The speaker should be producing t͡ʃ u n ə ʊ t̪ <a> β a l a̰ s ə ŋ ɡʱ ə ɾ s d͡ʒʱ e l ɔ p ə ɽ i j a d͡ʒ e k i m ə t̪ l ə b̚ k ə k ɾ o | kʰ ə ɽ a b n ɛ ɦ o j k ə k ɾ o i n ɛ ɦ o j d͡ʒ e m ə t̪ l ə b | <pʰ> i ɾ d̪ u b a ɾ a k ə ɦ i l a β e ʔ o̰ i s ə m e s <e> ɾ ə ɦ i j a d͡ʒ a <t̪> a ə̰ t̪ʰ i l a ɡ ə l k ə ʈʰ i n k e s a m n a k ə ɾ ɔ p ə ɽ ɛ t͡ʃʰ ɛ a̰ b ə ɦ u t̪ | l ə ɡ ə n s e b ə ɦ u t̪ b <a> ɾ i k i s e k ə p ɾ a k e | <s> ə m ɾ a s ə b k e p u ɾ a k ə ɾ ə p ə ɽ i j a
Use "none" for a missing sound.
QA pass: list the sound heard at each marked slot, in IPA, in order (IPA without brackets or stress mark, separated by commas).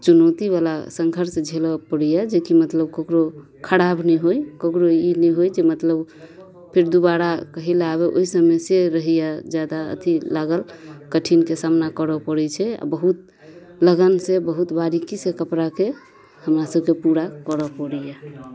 i, pʰ, e, d̪, a, h